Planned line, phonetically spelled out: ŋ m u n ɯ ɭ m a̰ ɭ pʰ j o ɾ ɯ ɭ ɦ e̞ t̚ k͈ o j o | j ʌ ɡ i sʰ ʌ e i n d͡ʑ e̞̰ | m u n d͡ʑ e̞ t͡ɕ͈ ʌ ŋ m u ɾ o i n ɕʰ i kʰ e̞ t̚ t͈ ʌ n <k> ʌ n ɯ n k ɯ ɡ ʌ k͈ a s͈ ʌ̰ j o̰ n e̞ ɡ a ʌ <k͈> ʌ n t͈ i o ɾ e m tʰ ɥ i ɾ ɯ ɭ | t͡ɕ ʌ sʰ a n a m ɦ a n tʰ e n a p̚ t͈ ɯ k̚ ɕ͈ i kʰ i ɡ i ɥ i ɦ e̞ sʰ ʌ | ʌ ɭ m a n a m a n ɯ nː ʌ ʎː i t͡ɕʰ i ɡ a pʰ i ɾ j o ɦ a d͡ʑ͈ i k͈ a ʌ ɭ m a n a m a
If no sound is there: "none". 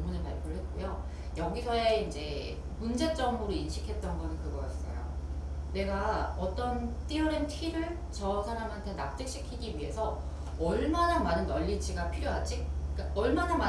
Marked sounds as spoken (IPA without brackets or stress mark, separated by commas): ɡ, t͈